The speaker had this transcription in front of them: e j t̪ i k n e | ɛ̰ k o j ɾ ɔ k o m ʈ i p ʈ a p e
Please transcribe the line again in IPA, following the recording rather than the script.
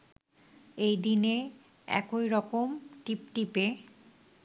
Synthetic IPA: e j d̪ i n e | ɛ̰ k o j ɾ ɔ k o m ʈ i p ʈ i p e

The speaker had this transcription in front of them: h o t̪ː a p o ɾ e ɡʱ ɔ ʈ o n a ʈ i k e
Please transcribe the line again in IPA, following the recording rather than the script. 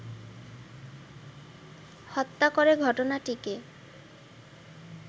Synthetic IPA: h ɔ t̪ː a k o ɾ e ɡʱ ɔ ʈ o n a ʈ i k e

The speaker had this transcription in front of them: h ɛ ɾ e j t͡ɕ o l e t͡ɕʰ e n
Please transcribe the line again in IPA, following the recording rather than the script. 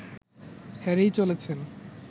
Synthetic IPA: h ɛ ɾ e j t͡ɕ o l e t͡ɕʰ e n

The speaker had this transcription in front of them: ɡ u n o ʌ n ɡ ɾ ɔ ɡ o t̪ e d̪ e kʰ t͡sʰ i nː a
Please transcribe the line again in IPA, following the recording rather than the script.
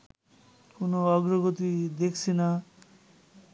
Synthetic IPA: k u n o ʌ ɡ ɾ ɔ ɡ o t̪ i d̪ e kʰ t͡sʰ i n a

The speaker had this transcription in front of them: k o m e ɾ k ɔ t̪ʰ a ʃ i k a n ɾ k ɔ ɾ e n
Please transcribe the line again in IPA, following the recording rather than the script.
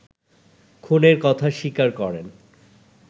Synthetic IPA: kʰ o n e ɾ k ɔ t̪ʰ a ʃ i k a ɾ k ɔ ɾ e n

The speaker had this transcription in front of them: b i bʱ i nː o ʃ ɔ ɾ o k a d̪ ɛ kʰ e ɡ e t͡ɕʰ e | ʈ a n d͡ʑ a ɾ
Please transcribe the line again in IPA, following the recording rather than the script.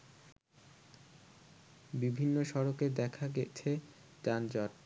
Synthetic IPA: b i bʱ i nː o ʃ ɔ ɾ o k e d̪ ɛ kʰ a ɡ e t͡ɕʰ e | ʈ a n d͡ʑ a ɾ

